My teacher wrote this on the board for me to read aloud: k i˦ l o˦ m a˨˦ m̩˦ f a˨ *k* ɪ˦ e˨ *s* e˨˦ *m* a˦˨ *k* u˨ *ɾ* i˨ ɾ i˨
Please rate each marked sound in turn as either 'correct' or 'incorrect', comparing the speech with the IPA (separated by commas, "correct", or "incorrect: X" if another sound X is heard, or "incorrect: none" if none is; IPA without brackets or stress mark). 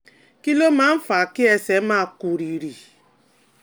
correct, correct, correct, correct, correct